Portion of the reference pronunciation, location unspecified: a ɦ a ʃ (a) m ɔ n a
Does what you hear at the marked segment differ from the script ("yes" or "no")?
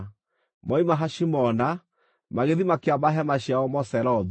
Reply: yes